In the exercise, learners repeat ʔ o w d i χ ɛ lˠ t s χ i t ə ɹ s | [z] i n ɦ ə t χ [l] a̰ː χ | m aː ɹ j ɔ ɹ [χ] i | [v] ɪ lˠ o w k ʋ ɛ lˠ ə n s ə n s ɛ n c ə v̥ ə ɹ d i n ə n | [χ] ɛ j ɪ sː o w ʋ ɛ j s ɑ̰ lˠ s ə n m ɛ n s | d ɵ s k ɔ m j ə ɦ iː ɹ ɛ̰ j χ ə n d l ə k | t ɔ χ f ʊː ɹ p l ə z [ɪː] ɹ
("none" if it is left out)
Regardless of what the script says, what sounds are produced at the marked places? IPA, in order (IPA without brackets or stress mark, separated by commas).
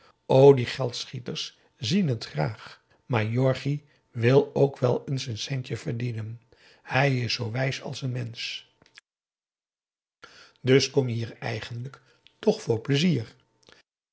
z, r, χ, ʋ, h, iː